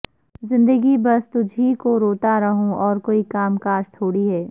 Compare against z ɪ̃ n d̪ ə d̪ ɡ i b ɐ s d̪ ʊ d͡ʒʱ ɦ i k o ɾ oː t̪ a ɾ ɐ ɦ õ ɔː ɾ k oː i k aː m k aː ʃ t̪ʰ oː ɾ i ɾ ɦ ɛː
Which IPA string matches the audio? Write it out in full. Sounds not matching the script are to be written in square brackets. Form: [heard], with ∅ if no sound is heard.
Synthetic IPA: z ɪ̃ n d̪ ə [∅] ɡ i b ɐ s [t̪] ʊ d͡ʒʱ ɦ i k o ɾ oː t̪ a ɾ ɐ ɦ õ ɔː ɾ k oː i k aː m k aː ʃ t̪ʰ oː [ɽ] i [∅] ɦ ɛː